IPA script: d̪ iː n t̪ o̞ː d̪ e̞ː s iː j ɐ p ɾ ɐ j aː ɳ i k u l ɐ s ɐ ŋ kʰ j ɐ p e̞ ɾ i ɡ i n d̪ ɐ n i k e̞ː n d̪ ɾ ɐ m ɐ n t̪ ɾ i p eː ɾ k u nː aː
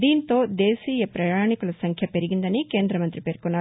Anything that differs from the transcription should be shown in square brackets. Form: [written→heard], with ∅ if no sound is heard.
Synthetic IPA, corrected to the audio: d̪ iː n t̪ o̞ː d̪ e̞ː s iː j ɐ p ɾ ɐ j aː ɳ i k u l ɐ s ɐ ŋ kʰ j ɐ p e̞ ɾ i ɡ i n d̪ ɐ n i k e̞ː n d̪ ɾ ɐ m ɐ n t̪ ɾ i p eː ɾ k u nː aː